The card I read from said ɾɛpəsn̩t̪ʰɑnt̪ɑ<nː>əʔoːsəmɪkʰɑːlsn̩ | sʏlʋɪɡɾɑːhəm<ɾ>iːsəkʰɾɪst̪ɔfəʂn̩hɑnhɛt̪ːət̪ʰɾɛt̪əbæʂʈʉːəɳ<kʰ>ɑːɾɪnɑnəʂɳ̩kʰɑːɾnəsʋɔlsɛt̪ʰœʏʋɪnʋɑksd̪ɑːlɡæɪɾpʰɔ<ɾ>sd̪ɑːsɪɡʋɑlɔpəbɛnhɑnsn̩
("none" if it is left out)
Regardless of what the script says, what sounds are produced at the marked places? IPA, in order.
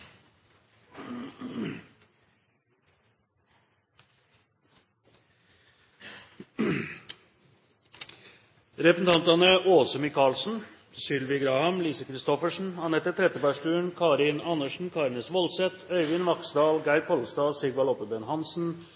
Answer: n, l, kʰ, l

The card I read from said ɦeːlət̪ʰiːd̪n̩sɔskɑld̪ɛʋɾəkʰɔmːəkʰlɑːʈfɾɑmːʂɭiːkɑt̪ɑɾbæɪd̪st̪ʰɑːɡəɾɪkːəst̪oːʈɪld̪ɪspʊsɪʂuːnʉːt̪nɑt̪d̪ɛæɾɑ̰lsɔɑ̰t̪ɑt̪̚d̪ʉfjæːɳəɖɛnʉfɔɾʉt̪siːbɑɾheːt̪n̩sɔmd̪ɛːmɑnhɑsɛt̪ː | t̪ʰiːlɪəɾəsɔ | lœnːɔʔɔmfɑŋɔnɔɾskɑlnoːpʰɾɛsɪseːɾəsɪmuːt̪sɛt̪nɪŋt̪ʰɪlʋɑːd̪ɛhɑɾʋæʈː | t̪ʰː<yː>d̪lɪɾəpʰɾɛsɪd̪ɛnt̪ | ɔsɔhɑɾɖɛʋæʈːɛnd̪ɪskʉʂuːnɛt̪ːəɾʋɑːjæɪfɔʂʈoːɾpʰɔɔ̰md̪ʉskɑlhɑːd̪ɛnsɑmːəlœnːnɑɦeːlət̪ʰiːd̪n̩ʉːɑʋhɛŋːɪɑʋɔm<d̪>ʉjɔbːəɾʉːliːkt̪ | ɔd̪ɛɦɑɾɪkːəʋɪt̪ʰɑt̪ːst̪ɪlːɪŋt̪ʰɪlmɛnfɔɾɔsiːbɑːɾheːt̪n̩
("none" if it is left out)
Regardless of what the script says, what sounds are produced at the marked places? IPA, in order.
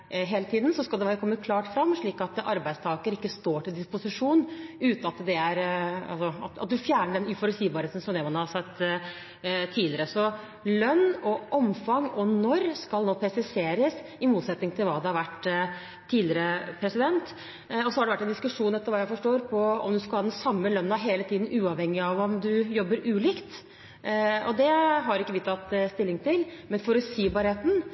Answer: iː, d̪

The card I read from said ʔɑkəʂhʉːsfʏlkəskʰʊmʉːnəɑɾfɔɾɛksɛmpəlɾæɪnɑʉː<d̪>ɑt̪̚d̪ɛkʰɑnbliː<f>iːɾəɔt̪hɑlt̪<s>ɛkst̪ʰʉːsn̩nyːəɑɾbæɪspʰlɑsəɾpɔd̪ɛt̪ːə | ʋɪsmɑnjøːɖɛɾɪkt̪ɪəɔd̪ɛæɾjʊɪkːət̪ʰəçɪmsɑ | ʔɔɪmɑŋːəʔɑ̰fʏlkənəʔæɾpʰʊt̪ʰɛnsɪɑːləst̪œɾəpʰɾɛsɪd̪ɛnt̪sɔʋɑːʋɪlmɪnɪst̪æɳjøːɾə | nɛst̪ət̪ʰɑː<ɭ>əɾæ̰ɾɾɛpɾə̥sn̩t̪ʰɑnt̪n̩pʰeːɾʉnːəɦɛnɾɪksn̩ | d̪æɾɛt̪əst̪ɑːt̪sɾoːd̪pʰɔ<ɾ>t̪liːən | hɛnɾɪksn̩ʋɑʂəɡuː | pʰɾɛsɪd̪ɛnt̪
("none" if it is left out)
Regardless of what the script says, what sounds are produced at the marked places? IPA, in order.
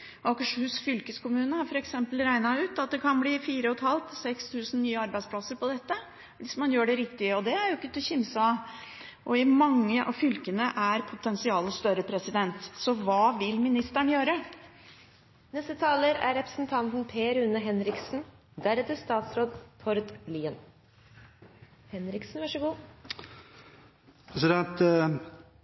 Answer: t̪, f, s, l, ɾ

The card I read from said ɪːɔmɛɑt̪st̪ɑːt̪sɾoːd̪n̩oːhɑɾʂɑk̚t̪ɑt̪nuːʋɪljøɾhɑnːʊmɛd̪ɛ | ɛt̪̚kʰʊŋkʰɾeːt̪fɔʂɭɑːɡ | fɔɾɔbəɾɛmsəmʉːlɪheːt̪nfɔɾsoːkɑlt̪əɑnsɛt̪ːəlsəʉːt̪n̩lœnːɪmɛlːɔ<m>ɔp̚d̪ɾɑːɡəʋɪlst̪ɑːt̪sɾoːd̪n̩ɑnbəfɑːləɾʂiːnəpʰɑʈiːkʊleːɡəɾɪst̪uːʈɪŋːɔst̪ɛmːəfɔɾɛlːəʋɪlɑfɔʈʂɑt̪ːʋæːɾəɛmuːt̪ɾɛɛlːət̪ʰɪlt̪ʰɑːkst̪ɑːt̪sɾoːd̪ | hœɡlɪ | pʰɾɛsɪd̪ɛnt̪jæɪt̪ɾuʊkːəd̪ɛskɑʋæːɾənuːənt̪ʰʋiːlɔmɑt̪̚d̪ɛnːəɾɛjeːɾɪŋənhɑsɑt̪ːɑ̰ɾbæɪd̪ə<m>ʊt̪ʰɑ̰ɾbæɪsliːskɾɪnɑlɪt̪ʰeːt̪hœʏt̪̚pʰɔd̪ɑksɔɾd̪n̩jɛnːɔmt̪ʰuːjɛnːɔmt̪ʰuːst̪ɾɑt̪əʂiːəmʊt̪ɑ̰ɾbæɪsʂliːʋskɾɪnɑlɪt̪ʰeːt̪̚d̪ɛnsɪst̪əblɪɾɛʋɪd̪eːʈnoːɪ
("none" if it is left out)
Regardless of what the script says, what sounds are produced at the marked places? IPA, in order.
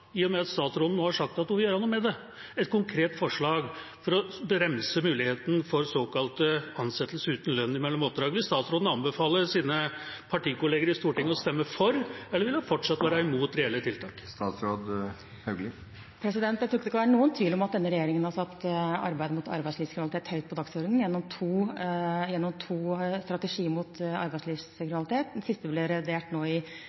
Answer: m, m

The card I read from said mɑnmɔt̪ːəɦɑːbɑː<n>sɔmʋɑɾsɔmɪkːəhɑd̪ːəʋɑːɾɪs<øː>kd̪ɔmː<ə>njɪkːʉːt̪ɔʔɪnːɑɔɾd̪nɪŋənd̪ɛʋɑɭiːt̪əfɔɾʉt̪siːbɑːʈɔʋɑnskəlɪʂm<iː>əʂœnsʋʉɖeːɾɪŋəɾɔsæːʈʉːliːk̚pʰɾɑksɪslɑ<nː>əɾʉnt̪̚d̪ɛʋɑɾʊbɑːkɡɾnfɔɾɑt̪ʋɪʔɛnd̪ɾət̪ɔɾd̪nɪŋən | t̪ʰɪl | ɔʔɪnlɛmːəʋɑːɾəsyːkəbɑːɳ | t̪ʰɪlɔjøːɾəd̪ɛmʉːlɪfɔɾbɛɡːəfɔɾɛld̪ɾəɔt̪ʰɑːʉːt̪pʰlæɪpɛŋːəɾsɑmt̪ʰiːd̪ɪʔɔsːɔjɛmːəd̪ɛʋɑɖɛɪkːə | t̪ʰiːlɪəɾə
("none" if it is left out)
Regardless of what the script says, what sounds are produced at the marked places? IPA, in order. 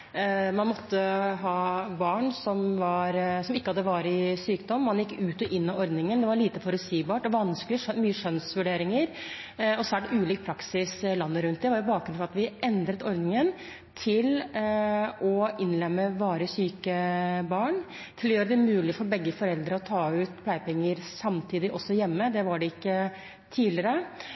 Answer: ɳ, yː, ɑ, yː, nː

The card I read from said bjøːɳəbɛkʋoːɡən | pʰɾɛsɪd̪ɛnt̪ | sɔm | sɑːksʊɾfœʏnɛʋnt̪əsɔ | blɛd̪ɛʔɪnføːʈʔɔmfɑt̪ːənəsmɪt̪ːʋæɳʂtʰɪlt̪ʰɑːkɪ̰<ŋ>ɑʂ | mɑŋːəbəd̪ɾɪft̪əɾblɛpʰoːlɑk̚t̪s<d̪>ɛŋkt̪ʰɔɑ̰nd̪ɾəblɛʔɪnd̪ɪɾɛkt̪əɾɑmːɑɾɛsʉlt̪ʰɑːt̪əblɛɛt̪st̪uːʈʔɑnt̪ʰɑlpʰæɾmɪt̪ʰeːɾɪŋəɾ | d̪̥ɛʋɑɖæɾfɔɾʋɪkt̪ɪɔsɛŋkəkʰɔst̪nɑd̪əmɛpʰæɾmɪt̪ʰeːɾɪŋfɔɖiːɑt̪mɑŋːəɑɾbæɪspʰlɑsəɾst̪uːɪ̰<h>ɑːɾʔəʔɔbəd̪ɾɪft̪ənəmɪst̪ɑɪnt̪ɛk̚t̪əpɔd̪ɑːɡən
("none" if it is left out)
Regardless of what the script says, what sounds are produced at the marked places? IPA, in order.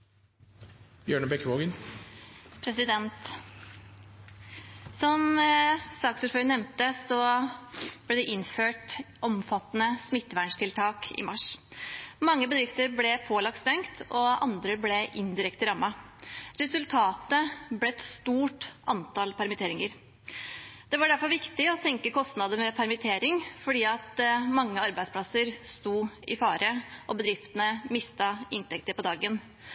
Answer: m, t̪, f

